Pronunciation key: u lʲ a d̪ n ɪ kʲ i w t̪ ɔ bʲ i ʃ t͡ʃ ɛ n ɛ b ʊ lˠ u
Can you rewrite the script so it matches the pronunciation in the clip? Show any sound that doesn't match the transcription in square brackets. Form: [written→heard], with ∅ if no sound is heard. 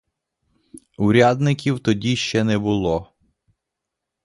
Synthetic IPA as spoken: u [lʲ→ɾʲ] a d̪ n ɪ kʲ i w t̪ ɔ [bʲ→dʲ] i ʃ t͡ʃ ɛ n ɛ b ʊ lˠ [u→ɔ]